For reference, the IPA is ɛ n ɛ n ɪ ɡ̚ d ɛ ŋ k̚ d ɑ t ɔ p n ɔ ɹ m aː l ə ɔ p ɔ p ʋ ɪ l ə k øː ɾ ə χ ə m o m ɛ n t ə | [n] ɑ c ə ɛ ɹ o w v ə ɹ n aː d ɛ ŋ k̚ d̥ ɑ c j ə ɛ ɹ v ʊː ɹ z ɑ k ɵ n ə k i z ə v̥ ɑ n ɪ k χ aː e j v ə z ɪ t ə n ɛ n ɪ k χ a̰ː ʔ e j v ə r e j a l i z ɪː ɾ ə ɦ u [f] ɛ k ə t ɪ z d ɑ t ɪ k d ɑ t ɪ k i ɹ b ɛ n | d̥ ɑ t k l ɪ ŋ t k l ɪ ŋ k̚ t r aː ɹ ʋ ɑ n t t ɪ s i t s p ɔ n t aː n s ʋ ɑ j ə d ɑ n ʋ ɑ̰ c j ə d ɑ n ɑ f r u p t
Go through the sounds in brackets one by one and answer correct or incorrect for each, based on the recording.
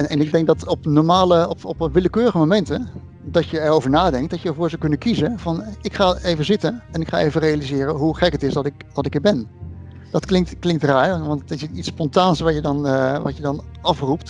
incorrect: d, incorrect: χ

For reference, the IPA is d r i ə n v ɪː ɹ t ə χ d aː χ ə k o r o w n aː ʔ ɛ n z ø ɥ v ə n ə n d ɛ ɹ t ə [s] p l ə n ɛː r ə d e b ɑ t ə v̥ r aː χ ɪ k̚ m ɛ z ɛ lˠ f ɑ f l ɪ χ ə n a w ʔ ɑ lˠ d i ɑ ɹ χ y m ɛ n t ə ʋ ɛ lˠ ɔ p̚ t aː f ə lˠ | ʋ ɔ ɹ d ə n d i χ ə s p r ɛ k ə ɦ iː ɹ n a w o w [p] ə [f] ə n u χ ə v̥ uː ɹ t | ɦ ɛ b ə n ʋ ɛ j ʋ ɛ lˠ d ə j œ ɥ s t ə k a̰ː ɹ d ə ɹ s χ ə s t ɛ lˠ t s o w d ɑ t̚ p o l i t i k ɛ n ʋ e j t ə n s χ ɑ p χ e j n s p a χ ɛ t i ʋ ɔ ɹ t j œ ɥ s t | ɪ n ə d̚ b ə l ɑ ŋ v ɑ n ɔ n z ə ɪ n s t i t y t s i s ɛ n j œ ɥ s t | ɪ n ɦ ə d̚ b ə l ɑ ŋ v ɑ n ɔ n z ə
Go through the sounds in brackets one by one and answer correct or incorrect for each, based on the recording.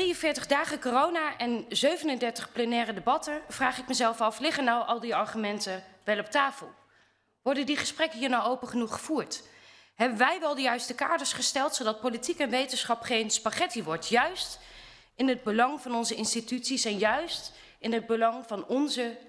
incorrect: χ, correct, incorrect: χ

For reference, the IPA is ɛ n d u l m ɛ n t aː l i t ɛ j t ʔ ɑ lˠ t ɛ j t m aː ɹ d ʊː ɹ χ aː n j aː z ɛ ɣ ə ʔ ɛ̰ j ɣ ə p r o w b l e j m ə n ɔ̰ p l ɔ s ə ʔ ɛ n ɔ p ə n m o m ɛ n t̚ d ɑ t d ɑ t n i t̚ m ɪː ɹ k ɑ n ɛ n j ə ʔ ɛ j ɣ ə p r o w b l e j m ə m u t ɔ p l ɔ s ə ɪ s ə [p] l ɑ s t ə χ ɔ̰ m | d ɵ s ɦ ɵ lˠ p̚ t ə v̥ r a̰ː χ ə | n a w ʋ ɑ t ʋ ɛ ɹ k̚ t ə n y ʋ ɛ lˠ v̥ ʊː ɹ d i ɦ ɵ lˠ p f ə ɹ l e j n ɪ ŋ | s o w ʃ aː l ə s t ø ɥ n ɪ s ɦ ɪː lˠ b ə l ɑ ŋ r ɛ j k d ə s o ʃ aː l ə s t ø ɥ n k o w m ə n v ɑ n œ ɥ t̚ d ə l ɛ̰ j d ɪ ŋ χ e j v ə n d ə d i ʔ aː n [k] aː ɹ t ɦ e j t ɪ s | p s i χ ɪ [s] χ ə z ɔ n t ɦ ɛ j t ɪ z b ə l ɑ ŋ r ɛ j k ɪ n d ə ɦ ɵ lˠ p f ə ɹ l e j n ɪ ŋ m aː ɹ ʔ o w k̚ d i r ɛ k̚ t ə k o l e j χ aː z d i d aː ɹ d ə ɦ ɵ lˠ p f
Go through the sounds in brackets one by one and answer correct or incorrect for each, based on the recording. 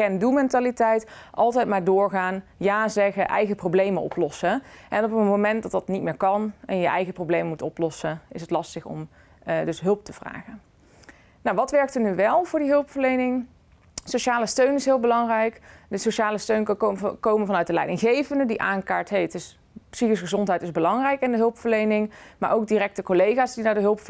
incorrect: t, correct, correct

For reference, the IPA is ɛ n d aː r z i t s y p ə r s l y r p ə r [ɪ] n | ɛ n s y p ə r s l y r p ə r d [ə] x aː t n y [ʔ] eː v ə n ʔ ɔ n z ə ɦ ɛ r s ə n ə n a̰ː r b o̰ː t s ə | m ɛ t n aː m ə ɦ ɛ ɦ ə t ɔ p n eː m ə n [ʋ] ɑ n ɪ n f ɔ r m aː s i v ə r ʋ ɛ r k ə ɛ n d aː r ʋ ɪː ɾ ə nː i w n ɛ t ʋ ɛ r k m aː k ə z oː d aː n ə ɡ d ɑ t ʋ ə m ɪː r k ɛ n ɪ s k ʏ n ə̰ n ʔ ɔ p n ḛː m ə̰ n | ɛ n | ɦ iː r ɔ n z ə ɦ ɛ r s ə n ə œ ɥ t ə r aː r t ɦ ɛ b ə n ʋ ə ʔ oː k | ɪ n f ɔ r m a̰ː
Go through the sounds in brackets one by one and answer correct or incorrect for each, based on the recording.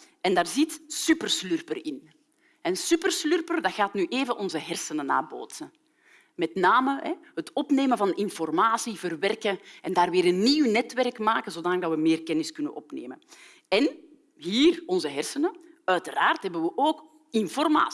correct, incorrect: ɑ, correct, incorrect: v

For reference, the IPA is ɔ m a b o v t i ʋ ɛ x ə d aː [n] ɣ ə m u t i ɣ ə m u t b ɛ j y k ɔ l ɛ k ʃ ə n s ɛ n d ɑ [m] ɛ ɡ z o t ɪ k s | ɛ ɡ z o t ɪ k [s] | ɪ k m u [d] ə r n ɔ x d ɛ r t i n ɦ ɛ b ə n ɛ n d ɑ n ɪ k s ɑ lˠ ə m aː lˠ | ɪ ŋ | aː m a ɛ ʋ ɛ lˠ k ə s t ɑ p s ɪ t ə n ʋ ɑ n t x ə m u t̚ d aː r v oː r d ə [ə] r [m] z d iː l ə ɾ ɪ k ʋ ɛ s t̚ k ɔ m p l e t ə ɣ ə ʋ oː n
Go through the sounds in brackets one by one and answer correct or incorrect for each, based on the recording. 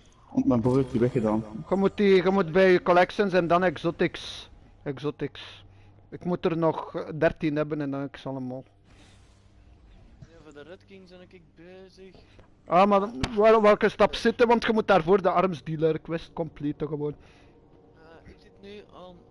correct, incorrect: n, correct, incorrect: t, incorrect: ɑ, correct

